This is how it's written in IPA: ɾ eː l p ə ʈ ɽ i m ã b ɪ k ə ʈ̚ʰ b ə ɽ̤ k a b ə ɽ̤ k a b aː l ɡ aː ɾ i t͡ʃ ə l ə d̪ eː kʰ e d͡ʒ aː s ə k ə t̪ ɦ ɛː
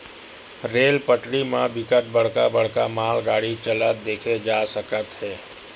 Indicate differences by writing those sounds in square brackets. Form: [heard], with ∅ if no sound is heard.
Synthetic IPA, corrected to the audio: ɾ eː l p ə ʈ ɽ i m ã b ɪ k ə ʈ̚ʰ b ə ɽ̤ k a b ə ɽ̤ k a [m] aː l ɡ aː [ɽ] i t͡ʃ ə l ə d̪ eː kʰ e d͡ʒ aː s ə k ə t̪ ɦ ɛː